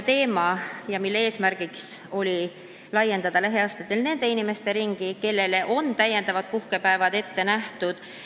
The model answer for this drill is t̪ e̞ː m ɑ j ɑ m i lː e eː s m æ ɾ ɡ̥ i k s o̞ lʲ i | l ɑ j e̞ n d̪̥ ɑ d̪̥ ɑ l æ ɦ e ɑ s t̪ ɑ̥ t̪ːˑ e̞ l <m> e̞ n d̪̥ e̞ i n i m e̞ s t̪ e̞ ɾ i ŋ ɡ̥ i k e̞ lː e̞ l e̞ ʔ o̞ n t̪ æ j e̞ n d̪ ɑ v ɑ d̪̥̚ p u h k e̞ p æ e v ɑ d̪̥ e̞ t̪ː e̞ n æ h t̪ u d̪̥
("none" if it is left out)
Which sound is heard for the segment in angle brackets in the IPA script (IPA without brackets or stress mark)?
n